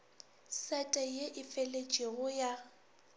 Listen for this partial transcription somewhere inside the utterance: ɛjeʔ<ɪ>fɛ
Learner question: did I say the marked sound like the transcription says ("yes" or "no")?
yes